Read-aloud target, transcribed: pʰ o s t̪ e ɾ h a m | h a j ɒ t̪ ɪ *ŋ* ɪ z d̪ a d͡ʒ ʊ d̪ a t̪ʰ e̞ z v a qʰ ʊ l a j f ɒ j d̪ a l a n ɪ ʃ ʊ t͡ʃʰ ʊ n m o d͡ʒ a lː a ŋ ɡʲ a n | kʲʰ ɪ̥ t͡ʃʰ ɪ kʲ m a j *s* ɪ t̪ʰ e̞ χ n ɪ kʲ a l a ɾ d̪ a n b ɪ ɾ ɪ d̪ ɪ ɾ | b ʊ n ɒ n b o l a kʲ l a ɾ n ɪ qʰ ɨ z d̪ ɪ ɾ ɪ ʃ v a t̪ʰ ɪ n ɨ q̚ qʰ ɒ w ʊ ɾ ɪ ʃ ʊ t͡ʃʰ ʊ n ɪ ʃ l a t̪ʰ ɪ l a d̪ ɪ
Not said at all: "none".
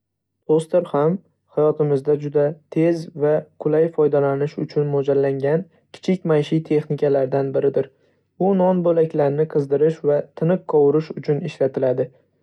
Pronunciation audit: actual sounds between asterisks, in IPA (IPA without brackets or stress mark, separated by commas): m, ʃ